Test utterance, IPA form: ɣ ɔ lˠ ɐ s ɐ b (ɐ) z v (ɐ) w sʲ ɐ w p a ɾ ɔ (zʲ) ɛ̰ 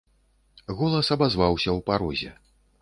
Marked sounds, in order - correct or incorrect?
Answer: incorrect: a, incorrect: a, correct

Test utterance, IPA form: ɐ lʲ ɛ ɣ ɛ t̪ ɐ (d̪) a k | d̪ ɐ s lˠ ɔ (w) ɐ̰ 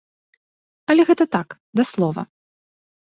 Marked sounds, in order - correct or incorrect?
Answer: incorrect: t̪, incorrect: v

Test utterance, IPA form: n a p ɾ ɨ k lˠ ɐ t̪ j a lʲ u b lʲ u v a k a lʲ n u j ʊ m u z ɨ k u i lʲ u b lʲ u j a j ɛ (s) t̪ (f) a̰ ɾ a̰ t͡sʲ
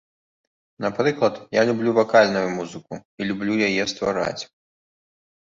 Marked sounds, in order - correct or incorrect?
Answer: correct, incorrect: v

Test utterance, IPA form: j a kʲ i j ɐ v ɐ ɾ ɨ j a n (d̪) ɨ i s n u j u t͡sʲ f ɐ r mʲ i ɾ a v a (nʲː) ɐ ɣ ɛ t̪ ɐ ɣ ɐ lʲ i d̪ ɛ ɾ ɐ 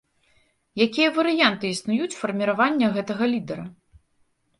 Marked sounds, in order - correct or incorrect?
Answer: incorrect: t̪, correct

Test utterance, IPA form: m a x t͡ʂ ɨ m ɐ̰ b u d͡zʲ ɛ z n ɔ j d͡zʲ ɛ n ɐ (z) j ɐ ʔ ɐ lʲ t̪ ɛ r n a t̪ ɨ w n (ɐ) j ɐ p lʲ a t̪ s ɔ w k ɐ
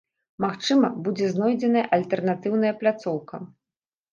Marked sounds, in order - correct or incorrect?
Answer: incorrect: none, correct

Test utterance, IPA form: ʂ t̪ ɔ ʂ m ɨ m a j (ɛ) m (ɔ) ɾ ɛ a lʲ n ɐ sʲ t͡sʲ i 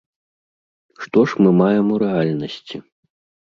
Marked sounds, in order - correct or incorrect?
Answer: correct, incorrect: u

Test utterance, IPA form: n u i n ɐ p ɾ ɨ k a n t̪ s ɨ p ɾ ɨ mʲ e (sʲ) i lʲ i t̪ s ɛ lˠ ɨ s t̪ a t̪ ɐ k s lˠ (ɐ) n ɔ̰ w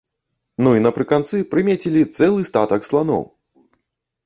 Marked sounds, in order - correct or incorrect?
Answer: incorrect: t͡sʲ, incorrect: a

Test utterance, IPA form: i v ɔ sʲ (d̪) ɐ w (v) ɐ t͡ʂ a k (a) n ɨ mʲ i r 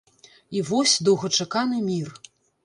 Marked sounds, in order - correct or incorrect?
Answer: correct, incorrect: ɣ, correct

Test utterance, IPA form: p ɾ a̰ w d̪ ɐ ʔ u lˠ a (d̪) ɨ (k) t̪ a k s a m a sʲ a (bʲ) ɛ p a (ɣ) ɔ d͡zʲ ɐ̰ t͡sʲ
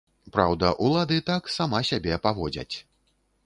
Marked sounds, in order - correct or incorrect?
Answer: correct, incorrect: none, correct, incorrect: v

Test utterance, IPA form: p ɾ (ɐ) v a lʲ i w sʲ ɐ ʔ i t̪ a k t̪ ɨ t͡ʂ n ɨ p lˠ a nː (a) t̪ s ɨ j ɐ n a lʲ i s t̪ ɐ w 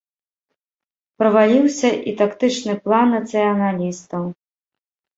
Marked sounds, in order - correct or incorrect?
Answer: correct, incorrect: ɐ

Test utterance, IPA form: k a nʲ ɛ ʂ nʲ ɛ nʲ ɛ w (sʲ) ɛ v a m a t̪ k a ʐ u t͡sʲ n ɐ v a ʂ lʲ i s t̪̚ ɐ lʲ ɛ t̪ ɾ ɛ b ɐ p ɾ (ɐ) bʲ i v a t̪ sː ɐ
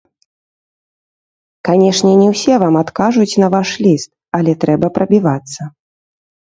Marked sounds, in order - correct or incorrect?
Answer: correct, correct

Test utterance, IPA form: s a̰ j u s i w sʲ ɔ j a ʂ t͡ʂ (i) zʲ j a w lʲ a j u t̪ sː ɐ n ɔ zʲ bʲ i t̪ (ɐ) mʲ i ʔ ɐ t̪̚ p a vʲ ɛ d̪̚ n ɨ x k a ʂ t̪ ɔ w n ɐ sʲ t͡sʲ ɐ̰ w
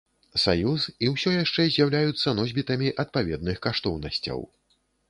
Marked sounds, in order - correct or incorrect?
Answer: incorrect: ɛ, correct

